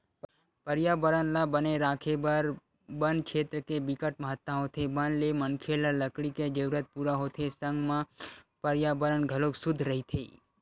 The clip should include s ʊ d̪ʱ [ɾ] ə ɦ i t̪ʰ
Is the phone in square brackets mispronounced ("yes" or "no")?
no